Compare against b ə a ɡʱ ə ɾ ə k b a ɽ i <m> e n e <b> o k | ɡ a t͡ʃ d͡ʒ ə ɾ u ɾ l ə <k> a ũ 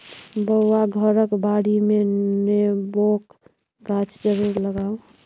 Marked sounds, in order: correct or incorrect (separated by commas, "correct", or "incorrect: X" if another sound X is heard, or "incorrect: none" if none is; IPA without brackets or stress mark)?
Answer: correct, correct, incorrect: ɡ